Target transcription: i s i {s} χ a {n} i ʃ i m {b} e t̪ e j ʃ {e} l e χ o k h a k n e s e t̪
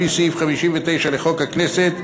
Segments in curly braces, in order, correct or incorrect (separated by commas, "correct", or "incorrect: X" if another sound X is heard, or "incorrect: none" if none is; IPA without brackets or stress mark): incorrect: f, incorrect: m, incorrect: v, incorrect: a